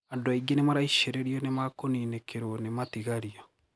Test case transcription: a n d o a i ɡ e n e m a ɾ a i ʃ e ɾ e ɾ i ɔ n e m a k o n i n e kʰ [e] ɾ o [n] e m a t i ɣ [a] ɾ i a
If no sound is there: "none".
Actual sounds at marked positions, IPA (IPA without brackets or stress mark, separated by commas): e, n, a